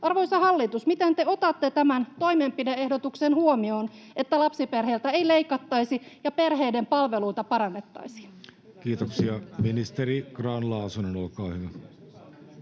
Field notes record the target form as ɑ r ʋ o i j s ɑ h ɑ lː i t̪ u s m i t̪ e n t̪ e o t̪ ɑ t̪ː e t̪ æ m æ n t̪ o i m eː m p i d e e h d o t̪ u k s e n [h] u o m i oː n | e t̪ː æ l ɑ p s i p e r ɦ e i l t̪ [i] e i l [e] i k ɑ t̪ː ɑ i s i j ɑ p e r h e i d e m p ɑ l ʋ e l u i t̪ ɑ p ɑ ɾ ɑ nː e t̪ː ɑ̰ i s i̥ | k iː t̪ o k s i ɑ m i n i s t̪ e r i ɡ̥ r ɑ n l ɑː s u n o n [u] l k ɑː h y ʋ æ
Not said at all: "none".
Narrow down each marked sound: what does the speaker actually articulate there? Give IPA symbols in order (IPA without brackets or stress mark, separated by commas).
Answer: h, æ, e, o